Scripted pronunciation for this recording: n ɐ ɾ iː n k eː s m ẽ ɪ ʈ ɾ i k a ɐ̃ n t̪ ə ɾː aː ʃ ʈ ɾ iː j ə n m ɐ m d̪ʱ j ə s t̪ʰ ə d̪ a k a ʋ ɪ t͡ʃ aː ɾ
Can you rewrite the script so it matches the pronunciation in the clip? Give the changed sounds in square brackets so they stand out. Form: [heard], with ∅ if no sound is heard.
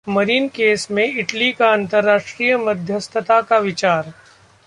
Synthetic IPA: [m] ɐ ɾ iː n k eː s m ẽ ɪ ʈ [l] i k a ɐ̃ n t̪ ə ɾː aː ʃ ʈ ɾ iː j ə [∅] m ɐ [∅] d̪ʱ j ə s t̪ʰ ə [t̪] a k a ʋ ɪ t͡ʃ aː ɾ